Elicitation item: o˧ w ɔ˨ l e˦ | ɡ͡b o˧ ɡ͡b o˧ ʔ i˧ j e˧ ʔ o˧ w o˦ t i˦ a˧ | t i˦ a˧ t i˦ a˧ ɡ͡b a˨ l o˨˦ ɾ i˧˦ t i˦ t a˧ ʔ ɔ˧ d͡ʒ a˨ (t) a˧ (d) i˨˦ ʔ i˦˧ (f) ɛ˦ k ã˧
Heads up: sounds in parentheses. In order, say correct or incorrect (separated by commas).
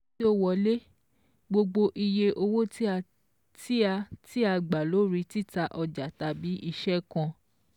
correct, incorrect, incorrect